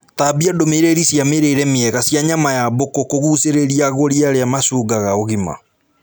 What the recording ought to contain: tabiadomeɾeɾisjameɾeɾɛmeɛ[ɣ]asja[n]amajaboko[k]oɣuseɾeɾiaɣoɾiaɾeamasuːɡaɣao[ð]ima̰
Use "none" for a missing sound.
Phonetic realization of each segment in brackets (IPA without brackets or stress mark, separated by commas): ɣ, ɲ, k, ɣ